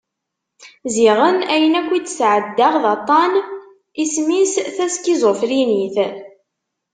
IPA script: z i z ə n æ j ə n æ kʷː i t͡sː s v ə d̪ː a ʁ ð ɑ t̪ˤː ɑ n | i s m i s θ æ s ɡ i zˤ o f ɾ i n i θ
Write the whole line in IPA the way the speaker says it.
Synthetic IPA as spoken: z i ʁ ə n æ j ə n æ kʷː i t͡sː s ʕ ə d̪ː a ʁ ð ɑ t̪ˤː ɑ n | i s m i s θ æ s k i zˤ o f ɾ i n i θ